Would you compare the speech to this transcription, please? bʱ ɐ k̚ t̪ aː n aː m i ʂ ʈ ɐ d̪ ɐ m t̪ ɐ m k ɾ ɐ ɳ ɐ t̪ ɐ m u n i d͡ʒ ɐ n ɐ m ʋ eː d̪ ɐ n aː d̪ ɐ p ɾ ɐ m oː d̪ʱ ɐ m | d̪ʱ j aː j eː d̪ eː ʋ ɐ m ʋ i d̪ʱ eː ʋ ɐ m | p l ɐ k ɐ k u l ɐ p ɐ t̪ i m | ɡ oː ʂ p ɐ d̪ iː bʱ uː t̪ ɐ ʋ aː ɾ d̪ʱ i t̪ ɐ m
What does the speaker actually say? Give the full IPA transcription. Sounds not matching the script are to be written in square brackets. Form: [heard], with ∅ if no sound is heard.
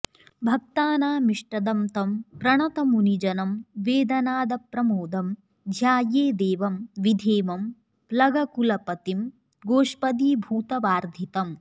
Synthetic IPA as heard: bʱ ɐ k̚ t̪ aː n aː m i ʂ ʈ ɐ d̪ ɐ m t̪ ɐ m [p] ɾ ɐ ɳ ɐ t̪ ɐ m u n i d͡ʒ ɐ n ɐ m ʋ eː d̪ ɐ n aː d̪ ɐ p ɾ ɐ m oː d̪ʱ ɐ m | d̪ʱ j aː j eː d̪ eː ʋ ɐ m ʋ i d̪ʱ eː ʋ ɐ m | p l ɐ [ɡ] ɐ k u l ɐ p ɐ t̪ i m | ɡ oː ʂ p ɐ d̪ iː bʱ uː t̪ ɐ ʋ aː ɾ d̪ʱ i t̪ ɐ m